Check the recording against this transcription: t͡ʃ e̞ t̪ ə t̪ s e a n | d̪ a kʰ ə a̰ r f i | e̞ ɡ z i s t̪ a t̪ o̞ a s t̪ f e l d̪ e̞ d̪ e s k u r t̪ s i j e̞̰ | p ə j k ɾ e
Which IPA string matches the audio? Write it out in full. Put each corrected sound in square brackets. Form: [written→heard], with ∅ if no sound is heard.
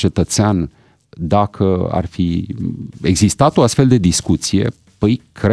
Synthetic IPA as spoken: t͡ʃ e̞ t̪ ə t̪ s e a n | d̪ a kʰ ə a̰ r f i | e̞ ɡ z i s t̪ a t̪ o̞ a s t̪ f e l d̪ e̞ d̪ [e→i] s k u [r→∅] t̪ s i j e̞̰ | p ə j k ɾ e